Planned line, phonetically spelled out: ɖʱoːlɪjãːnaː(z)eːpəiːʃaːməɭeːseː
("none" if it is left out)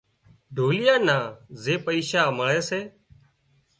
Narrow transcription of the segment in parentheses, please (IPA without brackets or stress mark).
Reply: z